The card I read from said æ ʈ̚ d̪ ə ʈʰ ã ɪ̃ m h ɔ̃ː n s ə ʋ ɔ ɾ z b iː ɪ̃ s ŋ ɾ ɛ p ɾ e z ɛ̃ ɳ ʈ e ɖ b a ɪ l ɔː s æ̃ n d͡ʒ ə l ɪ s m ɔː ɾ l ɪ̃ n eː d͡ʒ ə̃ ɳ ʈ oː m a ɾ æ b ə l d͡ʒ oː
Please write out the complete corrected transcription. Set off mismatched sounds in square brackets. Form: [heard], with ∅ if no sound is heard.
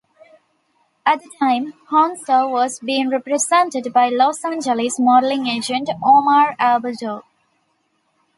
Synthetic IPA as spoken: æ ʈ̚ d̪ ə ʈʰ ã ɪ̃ m h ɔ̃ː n s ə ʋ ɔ [∅] z b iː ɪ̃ [∅] ŋ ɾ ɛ p ɾ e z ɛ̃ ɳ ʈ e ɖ b a ɪ l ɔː s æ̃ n d͡ʒ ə l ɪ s m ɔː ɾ l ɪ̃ [ŋ] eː d͡ʒ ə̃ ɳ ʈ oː m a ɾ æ b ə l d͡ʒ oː